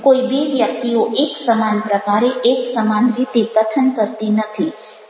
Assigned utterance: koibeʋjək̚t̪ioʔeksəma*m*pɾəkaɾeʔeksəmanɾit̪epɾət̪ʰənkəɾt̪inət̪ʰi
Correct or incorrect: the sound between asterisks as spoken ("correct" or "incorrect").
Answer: incorrect